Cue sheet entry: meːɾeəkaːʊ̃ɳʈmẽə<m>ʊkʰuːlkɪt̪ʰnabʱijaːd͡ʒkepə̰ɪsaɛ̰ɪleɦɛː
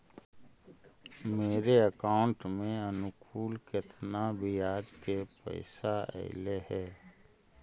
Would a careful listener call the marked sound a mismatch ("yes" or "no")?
yes